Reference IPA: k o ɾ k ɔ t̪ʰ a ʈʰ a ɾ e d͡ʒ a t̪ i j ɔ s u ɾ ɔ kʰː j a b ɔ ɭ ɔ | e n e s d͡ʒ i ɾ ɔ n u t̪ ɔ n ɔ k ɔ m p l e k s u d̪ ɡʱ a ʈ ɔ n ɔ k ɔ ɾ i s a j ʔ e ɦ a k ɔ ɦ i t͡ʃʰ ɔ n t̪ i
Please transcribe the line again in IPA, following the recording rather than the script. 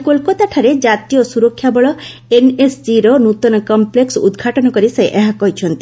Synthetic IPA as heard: k o l k ɔ t̪ a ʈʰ a ɾ e d͡ʒ a t̪ i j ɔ s u ɾ ɔ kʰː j a b ɔ ɭ ɔ | e n e s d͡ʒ i ɾ ɔ n u t̪ ɔ n ɔ k ɔ m p l e k s u d̪ ɡʱ a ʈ ɔ n ɔ k ɔ ɾ i s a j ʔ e ɦ a k ɔ ɦ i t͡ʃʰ ɔ n t̪ i